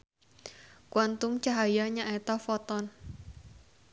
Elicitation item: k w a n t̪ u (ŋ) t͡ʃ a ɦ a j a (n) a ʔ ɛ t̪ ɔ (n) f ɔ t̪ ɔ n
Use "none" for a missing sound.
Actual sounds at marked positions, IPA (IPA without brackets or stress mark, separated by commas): m, ɲ, none